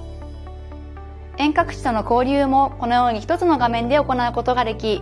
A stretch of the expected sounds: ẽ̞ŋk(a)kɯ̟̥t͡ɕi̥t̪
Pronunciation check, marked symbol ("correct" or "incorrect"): correct